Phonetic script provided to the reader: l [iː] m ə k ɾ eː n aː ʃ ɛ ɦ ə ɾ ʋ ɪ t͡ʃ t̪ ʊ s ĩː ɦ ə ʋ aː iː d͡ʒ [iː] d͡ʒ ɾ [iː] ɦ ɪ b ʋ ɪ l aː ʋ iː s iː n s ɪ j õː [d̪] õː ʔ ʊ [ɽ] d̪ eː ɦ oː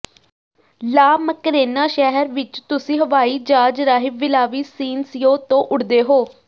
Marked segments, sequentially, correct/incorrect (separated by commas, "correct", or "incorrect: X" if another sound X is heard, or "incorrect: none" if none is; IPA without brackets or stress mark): incorrect: aː, incorrect: aː, incorrect: aː, incorrect: t̪, correct